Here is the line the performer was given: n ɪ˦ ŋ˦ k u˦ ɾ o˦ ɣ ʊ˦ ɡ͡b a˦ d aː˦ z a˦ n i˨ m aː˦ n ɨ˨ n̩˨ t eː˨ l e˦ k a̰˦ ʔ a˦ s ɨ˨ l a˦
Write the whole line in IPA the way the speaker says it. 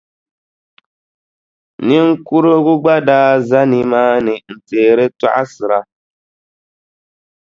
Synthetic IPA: n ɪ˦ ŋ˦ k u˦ ɾ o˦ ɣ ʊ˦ ɡ͡b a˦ d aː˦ z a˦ n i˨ m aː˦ n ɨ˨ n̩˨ t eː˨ ɾ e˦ t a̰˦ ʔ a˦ s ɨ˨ ɾ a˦